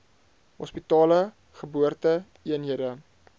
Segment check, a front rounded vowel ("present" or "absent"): absent